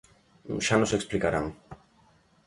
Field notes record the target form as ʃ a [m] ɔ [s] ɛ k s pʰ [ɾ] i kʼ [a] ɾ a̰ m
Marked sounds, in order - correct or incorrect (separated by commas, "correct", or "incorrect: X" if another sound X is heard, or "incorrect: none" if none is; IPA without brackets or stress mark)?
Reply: incorrect: n, correct, incorrect: l, correct